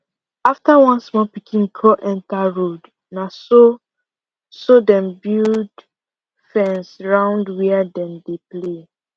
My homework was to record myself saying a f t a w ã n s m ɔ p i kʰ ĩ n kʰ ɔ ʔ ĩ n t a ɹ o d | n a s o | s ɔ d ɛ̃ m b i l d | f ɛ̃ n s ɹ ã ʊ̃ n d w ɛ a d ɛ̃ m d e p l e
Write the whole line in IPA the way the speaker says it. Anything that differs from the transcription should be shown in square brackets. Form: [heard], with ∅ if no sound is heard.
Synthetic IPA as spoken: a f t a w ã n s m ɔ p i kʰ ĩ n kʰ ɔ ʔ [ɛ̃] n t a ɹ o d | n a s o | s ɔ d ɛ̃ m b i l d | f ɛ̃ n s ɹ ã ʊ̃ n d w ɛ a d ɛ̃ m d e p l e